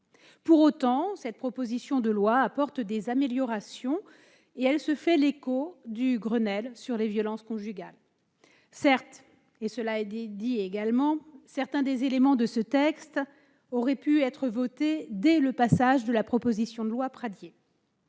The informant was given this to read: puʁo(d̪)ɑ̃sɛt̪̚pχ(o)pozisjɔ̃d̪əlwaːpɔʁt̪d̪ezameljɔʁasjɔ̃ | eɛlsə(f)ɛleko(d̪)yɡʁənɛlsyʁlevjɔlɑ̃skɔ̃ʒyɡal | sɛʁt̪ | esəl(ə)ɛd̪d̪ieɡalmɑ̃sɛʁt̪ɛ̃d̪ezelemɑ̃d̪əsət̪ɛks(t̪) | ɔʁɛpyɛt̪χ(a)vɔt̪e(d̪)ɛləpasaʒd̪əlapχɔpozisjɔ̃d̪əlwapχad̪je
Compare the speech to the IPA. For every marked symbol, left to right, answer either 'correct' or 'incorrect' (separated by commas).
incorrect, incorrect, correct, correct, incorrect, correct, incorrect, correct